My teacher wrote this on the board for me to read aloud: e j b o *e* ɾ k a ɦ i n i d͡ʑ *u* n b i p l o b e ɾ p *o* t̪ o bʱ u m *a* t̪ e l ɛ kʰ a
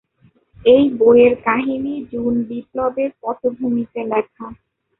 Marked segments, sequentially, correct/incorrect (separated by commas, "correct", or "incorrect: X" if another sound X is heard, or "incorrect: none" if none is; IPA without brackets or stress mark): correct, correct, incorrect: ɔ, incorrect: i